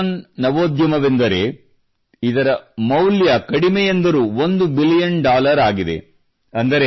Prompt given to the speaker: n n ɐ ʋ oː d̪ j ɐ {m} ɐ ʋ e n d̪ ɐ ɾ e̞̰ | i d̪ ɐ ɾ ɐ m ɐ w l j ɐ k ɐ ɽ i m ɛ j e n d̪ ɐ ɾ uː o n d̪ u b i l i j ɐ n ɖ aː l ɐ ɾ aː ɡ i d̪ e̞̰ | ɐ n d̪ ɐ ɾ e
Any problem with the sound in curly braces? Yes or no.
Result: no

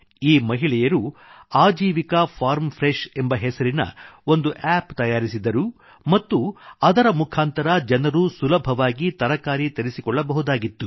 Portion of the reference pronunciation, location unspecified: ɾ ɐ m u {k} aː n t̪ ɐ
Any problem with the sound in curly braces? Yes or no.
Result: yes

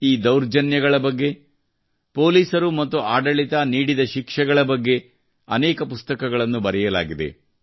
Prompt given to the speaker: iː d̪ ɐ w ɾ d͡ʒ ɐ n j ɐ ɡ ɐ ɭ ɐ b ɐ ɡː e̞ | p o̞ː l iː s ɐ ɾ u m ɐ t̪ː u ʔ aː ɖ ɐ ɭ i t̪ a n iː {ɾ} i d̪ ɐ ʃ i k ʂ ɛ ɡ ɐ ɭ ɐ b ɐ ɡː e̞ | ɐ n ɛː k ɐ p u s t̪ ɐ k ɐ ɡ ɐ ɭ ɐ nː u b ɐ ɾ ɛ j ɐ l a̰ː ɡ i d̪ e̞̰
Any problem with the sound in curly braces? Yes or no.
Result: yes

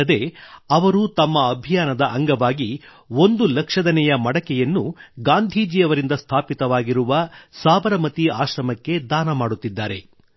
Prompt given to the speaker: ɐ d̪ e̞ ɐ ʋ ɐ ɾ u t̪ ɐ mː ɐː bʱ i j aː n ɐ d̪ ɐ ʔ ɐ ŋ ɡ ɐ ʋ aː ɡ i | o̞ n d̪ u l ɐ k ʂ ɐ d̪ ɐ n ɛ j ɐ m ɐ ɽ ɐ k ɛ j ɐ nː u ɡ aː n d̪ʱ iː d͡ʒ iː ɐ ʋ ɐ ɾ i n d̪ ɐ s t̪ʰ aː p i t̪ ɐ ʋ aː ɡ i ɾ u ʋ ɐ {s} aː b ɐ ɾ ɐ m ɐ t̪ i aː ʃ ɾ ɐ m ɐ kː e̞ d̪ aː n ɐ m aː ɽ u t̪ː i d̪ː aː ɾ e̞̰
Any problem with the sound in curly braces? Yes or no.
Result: no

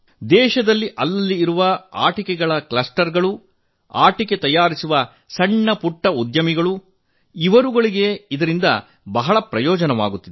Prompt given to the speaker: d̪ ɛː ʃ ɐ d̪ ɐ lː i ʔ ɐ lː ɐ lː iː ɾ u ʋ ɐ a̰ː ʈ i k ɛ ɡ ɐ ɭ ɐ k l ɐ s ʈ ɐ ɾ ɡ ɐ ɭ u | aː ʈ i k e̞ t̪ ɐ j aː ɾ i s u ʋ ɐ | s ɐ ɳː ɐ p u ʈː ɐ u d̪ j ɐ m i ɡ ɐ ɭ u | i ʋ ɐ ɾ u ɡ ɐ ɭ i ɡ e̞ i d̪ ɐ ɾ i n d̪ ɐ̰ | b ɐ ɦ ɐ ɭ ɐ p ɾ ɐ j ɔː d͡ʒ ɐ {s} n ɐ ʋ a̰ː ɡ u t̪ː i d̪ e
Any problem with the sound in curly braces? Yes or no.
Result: yes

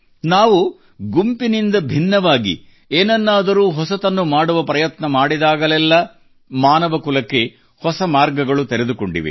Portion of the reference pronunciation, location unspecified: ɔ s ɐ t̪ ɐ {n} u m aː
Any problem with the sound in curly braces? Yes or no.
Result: yes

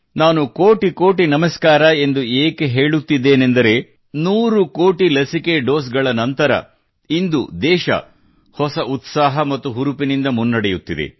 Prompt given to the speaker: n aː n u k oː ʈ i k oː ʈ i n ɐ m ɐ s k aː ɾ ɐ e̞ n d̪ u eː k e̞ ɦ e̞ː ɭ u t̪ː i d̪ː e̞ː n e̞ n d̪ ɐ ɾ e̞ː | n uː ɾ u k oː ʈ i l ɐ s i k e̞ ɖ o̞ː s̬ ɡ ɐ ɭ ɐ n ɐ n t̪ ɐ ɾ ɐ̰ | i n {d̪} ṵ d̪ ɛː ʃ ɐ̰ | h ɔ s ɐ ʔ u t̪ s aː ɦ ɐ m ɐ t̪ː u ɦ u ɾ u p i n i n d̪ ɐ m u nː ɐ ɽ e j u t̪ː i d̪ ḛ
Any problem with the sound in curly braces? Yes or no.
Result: no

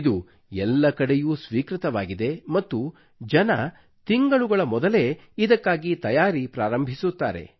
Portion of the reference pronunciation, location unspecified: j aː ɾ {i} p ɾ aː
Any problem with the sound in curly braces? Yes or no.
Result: no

